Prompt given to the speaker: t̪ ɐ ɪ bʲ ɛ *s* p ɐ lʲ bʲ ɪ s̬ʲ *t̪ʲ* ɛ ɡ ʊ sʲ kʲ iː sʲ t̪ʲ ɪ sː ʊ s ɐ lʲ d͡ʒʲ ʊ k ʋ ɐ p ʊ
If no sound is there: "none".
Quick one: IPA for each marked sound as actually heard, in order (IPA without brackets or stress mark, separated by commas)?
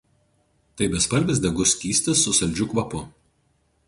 s, d̪ʲ